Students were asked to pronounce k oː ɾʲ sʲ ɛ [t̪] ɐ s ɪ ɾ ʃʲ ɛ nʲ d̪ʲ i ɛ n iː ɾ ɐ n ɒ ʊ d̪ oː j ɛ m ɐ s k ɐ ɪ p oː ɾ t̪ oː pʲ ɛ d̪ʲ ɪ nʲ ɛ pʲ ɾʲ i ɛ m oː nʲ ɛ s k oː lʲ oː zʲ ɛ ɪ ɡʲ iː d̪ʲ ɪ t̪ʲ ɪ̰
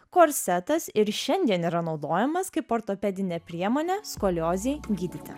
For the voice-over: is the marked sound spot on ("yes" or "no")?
yes